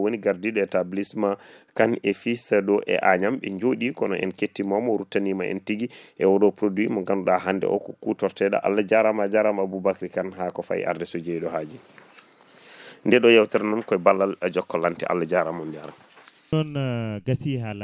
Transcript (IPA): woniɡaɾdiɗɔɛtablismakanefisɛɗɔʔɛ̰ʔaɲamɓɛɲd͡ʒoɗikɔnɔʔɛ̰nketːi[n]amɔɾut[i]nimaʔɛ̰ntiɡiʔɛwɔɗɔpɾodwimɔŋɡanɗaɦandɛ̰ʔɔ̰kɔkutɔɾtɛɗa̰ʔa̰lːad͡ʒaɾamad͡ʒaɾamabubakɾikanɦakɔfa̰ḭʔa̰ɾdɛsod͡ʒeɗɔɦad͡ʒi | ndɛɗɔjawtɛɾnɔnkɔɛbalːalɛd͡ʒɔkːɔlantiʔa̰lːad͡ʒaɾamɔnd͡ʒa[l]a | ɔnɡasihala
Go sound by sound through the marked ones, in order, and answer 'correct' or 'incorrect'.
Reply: incorrect, incorrect, incorrect

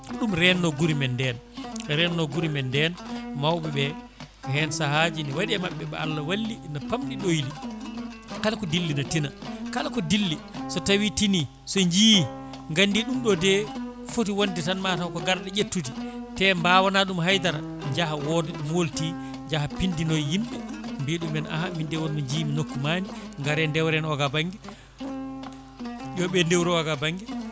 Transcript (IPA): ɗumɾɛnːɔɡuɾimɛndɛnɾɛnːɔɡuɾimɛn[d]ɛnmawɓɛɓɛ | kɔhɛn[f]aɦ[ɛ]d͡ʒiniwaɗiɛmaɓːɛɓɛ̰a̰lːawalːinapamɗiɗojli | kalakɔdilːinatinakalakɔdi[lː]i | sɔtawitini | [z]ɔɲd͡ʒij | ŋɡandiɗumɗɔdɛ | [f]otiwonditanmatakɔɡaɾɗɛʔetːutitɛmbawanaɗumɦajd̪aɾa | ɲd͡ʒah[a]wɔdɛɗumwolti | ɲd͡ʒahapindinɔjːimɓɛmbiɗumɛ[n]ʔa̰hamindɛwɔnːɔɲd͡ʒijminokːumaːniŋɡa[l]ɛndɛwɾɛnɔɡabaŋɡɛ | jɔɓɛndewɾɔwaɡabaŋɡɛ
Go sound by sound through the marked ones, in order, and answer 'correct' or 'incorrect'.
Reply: correct, incorrect, incorrect, correct, incorrect, correct, correct, correct, incorrect

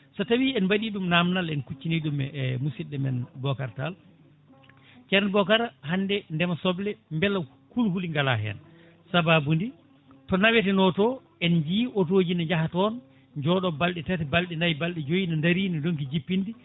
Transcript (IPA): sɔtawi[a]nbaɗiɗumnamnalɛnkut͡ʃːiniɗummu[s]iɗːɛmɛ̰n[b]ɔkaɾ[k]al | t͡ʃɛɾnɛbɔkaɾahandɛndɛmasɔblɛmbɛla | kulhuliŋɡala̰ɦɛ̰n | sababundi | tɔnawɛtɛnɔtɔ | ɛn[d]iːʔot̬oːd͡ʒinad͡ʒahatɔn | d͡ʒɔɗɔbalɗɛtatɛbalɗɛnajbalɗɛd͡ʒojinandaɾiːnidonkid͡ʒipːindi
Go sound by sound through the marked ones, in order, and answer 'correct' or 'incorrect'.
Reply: incorrect, correct, correct, incorrect, incorrect

